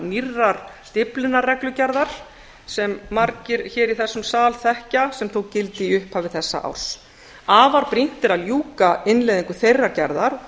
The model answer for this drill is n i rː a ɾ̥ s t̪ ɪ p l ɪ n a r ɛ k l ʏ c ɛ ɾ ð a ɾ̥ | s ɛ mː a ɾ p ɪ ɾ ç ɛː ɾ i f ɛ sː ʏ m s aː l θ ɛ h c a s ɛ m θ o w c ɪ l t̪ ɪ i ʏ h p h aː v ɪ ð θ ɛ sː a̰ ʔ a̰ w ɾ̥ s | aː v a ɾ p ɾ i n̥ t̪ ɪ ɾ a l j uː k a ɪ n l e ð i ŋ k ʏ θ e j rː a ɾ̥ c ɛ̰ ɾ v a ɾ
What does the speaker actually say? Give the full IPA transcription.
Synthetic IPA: n i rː a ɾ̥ s t̪ ɪ p l ɪ n a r ɛ k l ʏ c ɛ ɾ ð a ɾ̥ | s ɛ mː a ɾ c ɪ ɾ ç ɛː ɾ i θ ɛ sː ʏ m s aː l θ ɛ h c a s ɛ m θ o w c ɪ l t̪ ɪ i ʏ h p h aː v ɪ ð θ ɛ sː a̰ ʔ a̰ w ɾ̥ s | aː v a ɾ p ɾ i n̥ t̪ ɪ ɾ a l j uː k a ɪ n l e ð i ŋ k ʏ θ e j rː a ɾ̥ c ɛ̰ ɾ ð a ɾ